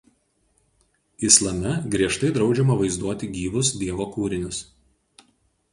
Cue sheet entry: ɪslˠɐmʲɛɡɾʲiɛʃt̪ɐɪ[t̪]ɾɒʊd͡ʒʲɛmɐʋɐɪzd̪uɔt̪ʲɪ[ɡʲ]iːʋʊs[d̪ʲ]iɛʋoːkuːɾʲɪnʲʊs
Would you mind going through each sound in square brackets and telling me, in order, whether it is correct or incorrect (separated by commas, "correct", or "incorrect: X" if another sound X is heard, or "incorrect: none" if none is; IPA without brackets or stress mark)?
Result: incorrect: d̪, correct, correct